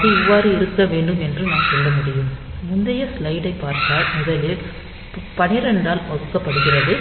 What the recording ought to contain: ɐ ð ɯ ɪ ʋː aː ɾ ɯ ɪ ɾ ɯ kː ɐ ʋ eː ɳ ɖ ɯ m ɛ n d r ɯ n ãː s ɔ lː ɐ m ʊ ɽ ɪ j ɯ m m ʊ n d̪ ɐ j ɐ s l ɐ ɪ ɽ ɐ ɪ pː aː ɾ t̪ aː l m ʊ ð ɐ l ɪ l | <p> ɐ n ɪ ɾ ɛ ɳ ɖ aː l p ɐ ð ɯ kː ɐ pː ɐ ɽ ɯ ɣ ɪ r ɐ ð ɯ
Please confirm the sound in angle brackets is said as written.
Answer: yes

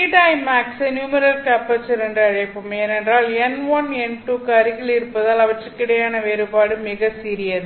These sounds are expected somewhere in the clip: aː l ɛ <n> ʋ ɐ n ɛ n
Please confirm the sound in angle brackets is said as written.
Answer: yes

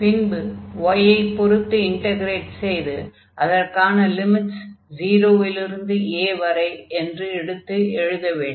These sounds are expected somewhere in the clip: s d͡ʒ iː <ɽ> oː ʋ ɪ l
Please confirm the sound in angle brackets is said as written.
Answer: no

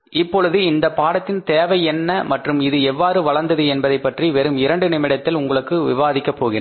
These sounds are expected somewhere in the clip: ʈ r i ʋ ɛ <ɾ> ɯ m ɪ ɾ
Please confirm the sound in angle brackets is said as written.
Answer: yes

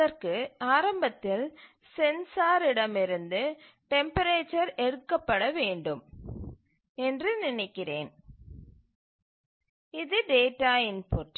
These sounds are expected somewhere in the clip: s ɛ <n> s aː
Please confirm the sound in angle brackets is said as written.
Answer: yes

